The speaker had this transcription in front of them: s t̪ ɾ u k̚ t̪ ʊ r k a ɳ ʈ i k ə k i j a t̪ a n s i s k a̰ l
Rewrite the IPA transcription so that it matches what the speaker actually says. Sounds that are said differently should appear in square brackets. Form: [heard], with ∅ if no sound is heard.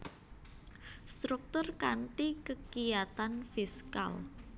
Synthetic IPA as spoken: s t̪ ɾ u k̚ t̪ ʊ r k a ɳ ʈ i k ə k i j a t̪ a n [f] i s k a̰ l